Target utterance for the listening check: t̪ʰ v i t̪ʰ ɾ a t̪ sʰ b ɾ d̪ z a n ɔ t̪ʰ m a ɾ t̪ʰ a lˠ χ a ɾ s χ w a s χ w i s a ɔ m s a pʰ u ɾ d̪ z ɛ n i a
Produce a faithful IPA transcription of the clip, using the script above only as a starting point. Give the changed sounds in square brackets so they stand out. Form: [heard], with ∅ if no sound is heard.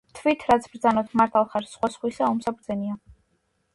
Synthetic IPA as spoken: t̪ʰ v i t̪ʰ ɾ a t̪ sʰ b ɾ d̪ z a n ɔ t̪ʰ m a ɾ t̪ʰ a lˠ χ a ɾ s χ w a s χ w i s a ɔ m s a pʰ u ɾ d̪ z ɛ n i a